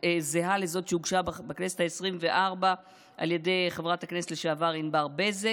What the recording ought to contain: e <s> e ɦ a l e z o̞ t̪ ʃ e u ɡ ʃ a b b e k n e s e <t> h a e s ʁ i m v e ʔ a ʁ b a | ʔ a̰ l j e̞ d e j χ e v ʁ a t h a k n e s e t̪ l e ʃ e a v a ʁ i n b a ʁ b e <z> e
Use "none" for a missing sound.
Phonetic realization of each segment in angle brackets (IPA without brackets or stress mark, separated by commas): z, t, z